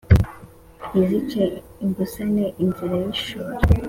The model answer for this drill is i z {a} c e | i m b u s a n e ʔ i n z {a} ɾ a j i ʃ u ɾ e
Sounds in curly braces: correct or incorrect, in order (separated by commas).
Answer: incorrect, incorrect